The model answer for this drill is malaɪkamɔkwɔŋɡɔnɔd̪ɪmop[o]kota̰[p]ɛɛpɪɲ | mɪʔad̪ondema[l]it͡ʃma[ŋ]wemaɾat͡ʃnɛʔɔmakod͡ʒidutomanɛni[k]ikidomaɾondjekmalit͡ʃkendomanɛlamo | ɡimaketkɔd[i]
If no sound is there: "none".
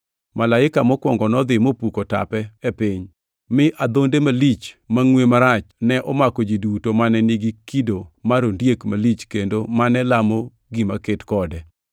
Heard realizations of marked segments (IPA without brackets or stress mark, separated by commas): u, p, l, ŋ, ɡ, ɛ